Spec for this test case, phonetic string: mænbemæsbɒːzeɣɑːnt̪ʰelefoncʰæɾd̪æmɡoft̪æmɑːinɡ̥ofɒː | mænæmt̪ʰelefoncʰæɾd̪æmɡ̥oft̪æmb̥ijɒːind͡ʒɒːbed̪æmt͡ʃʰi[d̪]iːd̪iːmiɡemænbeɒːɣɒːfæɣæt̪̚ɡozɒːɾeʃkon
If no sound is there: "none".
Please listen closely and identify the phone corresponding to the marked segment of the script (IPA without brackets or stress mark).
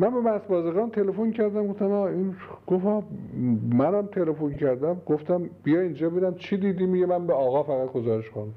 d̪